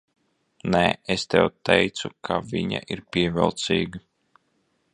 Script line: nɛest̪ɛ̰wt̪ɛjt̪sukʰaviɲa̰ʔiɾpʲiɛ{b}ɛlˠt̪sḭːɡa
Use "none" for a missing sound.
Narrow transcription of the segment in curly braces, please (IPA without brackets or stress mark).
v